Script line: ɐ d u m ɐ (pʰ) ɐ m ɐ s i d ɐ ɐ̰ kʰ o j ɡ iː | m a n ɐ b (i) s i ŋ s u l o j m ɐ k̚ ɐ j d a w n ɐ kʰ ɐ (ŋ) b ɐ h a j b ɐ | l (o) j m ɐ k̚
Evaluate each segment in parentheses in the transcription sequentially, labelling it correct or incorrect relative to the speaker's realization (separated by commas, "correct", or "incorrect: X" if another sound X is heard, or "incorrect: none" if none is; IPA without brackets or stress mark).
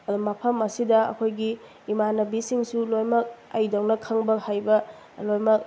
correct, correct, correct, correct